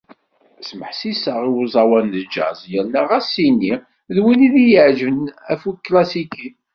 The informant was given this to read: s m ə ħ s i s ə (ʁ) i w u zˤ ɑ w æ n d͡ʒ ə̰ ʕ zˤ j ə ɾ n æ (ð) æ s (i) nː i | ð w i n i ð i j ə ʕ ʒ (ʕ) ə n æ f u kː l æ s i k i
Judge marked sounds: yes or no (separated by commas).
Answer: yes, no, yes, no